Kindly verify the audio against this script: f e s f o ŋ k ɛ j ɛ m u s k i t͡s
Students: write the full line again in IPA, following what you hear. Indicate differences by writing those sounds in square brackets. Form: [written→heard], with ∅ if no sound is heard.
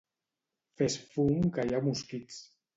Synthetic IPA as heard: f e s f [o→u] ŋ k [ɛ→a] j [ɛ→a] m u s k i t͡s